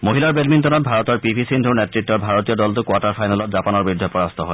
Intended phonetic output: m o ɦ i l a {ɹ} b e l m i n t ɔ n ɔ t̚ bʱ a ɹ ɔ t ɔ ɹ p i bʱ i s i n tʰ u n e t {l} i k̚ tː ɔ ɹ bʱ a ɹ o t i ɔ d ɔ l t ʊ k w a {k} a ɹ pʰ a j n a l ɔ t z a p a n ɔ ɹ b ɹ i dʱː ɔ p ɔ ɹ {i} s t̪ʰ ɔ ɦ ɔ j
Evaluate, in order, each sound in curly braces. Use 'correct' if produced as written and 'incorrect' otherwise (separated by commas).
correct, incorrect, incorrect, incorrect